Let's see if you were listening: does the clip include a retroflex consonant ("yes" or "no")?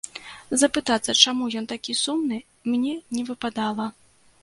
yes